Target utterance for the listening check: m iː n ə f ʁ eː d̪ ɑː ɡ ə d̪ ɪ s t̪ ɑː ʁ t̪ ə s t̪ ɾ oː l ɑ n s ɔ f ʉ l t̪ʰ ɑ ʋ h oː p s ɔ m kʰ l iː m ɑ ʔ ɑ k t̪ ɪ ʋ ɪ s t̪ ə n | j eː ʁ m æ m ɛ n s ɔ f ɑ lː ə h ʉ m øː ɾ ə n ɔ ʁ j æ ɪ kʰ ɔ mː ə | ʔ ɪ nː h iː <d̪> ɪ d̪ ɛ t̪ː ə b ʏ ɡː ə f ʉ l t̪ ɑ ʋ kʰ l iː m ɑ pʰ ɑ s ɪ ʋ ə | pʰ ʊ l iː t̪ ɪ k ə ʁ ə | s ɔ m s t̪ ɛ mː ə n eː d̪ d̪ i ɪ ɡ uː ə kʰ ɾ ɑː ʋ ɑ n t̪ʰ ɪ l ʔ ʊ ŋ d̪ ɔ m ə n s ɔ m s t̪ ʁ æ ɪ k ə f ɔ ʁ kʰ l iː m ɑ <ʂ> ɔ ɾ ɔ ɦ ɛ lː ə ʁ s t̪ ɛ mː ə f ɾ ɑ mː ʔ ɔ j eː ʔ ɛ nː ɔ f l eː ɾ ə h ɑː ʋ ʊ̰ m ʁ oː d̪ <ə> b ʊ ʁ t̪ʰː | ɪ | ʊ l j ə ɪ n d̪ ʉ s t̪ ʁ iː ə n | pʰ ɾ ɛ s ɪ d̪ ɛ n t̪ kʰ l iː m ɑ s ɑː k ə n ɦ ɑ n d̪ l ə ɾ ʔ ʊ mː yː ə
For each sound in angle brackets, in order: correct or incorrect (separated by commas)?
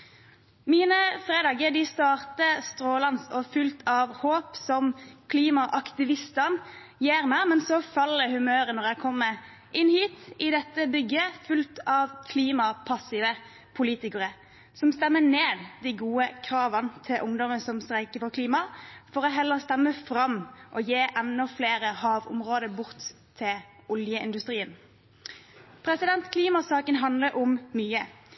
incorrect, incorrect, correct